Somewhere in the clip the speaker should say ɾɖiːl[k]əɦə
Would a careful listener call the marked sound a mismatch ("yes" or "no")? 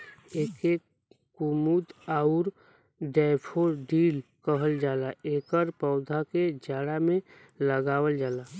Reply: no